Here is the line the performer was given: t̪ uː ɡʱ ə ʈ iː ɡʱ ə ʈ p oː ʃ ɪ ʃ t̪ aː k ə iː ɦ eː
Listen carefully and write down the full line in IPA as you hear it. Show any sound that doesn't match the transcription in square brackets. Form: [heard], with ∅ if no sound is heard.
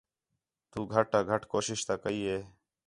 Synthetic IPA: t̪ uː ɡʱ ə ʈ [aː] ɡʱ ə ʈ [k] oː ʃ ɪ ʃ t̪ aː k ə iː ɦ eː